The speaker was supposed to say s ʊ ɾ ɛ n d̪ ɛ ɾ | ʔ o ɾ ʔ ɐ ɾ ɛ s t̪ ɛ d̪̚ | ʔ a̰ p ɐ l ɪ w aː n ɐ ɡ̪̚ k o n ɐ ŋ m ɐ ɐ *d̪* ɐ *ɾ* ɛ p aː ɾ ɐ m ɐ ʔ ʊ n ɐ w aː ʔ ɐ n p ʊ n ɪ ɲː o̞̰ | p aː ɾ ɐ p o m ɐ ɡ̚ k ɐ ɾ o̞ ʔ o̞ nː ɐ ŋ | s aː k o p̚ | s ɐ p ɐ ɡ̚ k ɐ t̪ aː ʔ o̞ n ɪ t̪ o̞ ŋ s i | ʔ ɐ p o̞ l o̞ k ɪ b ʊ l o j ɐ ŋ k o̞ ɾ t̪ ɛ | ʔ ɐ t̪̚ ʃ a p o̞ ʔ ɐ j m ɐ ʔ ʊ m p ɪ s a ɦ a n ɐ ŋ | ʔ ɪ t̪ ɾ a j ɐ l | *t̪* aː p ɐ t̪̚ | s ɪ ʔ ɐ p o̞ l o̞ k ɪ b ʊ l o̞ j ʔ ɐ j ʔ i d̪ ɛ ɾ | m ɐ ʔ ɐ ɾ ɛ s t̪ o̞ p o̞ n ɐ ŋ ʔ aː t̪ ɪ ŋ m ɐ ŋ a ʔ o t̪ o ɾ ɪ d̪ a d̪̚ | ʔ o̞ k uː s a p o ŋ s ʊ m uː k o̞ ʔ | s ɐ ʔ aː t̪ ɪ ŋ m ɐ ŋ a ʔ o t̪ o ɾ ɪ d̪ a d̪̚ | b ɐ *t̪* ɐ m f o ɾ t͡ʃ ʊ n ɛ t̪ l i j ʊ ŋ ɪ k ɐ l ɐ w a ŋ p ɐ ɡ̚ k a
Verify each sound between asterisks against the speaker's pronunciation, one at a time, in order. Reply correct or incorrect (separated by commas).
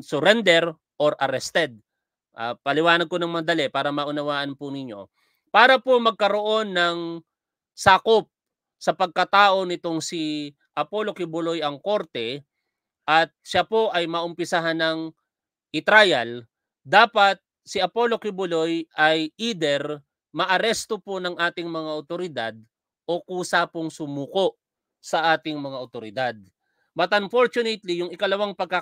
correct, incorrect, incorrect, correct